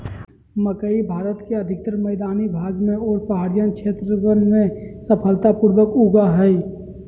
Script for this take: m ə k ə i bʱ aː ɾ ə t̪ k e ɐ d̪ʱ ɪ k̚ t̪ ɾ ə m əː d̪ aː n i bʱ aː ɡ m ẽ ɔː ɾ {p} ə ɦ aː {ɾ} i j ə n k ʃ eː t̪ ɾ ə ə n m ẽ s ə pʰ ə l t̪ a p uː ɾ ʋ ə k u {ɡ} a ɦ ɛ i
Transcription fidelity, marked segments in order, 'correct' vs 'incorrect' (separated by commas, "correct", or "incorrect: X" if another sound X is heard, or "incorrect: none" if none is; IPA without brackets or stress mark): correct, correct, correct